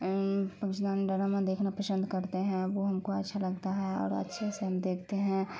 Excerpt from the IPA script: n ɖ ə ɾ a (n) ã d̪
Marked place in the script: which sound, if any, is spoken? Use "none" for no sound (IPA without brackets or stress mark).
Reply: m